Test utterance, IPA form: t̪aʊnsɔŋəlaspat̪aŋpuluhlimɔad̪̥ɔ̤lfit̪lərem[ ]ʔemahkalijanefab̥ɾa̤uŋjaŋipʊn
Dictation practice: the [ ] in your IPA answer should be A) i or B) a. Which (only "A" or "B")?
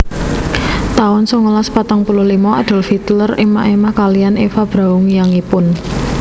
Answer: B